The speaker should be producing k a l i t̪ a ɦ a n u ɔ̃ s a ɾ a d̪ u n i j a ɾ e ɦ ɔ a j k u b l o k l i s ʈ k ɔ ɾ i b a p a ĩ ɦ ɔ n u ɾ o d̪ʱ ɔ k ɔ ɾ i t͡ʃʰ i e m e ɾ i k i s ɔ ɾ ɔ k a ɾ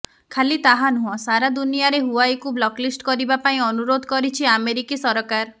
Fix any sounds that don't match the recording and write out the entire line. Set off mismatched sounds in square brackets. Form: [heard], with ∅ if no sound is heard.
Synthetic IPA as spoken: [kʰ] a l i t̪ a ɦ a n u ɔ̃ s a ɾ a d̪ u n i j a ɾ e ɦ [u] a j k u b l [ɔ] k l i s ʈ k ɔ ɾ i b a p a ĩ [∅] ɔ n u ɾ o d̪ʱ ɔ k ɔ ɾ i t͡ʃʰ i [a] m e ɾ i k i s ɔ ɾ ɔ k a ɾ